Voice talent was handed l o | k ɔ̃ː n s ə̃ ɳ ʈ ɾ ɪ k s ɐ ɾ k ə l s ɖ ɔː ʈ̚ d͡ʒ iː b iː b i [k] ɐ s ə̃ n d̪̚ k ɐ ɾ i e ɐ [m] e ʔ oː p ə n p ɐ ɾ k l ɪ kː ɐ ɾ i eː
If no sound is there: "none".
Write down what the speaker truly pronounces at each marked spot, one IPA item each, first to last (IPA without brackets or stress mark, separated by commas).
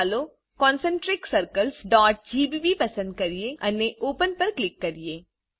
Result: p, n